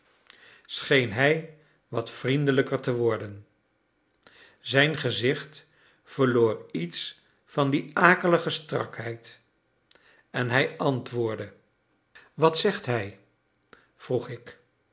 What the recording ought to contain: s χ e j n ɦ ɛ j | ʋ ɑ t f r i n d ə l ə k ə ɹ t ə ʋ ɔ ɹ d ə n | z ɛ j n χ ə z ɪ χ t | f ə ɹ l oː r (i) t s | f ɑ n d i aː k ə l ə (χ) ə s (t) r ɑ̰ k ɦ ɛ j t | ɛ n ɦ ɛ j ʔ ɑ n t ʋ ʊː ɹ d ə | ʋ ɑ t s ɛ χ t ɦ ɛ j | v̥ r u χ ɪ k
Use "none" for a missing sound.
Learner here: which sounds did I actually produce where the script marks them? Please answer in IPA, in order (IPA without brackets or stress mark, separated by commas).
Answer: i, χ, t